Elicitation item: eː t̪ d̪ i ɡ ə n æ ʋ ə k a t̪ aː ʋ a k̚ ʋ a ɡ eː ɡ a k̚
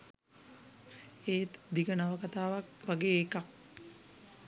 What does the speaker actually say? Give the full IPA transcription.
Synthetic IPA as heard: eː t̪ d̪ i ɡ ə n a ʋ ə k a t̪ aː ʋ a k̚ ʋ a ɡ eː k a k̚